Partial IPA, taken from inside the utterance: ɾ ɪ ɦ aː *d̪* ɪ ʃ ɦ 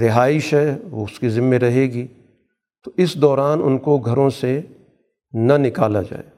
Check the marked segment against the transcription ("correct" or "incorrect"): incorrect